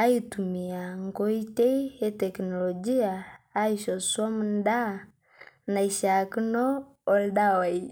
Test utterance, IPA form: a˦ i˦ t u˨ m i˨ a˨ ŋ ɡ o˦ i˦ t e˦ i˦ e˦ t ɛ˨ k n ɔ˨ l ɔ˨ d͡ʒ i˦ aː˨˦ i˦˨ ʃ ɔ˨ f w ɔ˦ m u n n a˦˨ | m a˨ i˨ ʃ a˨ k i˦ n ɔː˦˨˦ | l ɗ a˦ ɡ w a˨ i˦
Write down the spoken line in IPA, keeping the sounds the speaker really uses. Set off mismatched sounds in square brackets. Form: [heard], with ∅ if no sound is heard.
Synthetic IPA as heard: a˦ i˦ t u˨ m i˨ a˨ ŋ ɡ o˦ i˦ t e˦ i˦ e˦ t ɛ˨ k n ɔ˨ l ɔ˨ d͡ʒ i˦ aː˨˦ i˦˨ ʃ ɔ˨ [s] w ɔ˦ m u n [d] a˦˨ | [n] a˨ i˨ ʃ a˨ k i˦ n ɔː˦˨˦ | l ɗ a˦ [∅] w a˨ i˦